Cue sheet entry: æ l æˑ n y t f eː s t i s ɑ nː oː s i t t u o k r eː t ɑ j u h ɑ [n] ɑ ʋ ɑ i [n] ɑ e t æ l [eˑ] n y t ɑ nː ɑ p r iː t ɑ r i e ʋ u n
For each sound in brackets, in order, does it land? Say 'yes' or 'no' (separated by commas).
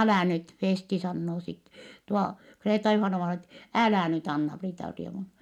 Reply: yes, yes, no